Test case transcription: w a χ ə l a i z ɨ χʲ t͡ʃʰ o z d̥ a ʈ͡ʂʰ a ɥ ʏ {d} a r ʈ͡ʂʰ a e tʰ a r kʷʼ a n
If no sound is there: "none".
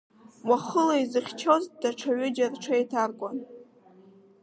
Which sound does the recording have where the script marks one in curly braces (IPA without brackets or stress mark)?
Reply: d͡ʒ